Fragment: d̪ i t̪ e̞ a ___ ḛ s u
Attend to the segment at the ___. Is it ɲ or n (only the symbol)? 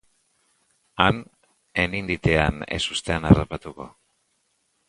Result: n